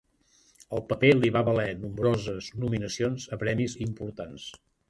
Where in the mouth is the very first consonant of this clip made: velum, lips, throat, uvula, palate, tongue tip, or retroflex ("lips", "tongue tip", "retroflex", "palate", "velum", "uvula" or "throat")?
tongue tip